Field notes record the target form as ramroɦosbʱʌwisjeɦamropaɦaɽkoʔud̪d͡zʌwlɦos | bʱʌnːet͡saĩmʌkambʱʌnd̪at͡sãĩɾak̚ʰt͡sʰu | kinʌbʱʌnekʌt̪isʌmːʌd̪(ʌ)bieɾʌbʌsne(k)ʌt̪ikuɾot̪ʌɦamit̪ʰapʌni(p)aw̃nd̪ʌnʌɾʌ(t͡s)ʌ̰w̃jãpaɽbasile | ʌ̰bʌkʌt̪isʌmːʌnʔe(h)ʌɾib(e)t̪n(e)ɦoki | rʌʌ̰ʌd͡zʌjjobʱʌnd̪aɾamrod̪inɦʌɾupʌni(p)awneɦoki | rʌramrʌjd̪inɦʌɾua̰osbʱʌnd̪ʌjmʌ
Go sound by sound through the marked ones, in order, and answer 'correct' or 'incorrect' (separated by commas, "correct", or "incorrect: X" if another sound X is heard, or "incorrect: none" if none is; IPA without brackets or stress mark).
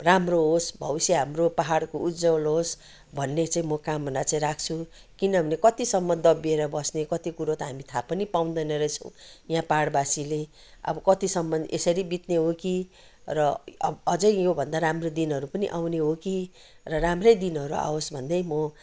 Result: correct, correct, correct, incorrect: t͡sʰ, incorrect: s, incorrect: i, correct, incorrect: ʔ